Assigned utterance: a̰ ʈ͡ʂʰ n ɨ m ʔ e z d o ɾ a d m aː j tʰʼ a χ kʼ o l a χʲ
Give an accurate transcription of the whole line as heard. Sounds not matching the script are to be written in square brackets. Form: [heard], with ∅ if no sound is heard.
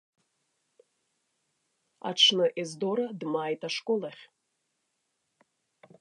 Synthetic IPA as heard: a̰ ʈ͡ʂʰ n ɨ [∅] ʔ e z d o ɾ a d m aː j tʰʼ a [ʂ] kʼ o l a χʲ